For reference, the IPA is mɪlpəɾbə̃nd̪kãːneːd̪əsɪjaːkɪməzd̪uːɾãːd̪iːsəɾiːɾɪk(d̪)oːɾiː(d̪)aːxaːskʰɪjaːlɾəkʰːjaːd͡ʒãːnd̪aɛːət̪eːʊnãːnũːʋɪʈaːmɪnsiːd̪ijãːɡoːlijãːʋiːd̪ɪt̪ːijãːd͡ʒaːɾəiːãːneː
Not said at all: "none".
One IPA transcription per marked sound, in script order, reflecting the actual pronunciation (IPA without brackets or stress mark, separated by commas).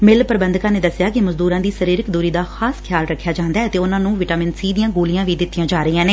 d̪, d̪